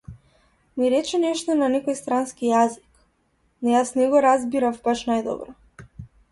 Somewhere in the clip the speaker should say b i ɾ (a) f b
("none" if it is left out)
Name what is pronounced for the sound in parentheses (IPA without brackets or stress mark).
a